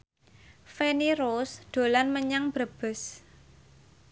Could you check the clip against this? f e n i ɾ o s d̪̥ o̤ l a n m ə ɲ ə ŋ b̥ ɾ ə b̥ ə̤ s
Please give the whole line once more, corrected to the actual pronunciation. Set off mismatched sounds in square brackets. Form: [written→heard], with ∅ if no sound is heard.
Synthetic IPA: f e n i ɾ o s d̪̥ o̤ l a n m ə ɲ [ə→a] ŋ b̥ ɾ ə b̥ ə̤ s